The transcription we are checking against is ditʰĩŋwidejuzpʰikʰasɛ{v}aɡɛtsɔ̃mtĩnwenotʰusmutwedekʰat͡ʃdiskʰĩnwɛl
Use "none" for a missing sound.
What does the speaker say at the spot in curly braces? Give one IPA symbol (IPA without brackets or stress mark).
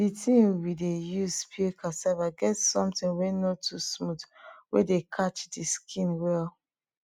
v